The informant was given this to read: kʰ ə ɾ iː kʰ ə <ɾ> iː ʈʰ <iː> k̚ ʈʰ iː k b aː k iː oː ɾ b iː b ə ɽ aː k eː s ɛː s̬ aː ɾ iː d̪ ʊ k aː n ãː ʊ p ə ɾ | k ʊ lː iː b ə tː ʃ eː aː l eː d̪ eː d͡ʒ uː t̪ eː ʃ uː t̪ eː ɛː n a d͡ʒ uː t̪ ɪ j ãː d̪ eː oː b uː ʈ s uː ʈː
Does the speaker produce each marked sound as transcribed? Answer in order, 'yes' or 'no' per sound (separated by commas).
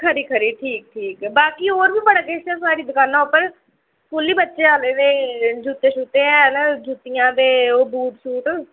yes, yes